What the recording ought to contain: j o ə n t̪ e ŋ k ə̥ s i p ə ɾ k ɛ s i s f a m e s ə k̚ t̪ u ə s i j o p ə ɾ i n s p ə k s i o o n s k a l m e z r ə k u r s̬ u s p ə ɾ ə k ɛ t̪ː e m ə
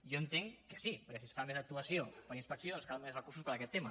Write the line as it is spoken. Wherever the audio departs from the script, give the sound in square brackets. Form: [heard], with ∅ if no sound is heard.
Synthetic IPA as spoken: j o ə n t̪ e ŋ k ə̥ s i p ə ɾ k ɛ s i s f a m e [z] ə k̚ t̪ u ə s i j o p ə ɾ i n s p ə k s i o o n s k a l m e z r ə k u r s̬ u s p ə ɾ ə k ɛ t̪ː e m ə